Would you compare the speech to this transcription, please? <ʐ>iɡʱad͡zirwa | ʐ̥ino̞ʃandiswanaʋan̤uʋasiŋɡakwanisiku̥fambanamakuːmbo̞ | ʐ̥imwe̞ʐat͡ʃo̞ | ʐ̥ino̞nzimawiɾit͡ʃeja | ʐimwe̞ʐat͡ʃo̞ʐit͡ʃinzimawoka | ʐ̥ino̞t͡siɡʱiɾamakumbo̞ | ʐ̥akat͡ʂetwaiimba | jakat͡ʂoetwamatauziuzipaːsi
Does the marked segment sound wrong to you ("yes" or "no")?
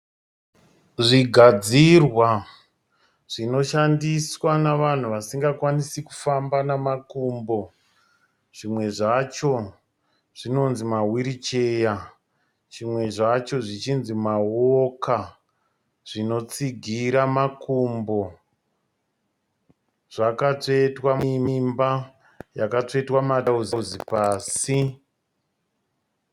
no